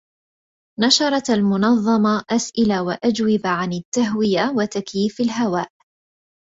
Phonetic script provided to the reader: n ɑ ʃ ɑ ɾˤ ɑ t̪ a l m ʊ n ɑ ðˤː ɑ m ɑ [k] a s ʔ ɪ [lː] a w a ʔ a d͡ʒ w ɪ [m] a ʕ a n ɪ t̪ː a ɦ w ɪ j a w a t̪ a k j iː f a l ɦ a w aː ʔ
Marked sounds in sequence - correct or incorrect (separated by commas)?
incorrect, incorrect, incorrect